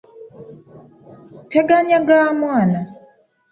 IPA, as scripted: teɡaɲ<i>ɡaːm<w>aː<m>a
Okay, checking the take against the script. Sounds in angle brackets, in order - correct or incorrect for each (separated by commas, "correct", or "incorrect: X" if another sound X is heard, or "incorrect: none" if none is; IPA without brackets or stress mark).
incorrect: a, correct, incorrect: n